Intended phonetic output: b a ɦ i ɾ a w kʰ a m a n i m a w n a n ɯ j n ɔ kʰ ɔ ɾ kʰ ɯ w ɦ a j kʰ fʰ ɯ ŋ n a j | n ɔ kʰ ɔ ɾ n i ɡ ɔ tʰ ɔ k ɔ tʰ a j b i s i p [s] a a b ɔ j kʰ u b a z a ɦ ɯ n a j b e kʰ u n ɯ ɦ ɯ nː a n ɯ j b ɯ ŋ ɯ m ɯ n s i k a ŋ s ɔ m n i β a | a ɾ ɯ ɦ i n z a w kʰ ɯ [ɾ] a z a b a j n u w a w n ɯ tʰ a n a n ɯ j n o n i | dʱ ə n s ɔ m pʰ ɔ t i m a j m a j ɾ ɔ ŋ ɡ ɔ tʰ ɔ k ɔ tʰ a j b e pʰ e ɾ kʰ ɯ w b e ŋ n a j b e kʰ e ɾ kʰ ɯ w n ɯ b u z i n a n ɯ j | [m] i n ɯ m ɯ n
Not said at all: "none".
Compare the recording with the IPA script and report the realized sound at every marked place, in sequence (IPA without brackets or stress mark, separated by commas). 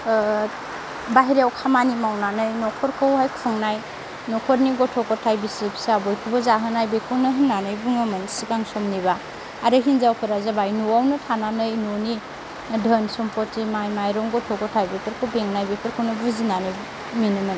s, ɾ, m